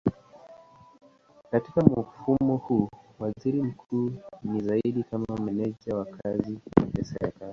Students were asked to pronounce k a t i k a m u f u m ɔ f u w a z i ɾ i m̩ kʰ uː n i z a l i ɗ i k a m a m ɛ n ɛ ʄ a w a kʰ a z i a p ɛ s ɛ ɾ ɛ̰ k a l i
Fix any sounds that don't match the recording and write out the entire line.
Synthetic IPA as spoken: k a t i k a m u f u m ɔ h u w a z i ɾ i m̩ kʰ uː n i z a i ɗ i k a m a m ɛ n ɛ ʄ a w a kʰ a z i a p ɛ s ɛ ɾ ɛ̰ k a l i